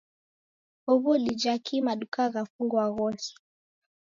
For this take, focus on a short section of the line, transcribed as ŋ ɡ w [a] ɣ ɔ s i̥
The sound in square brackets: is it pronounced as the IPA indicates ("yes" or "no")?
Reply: yes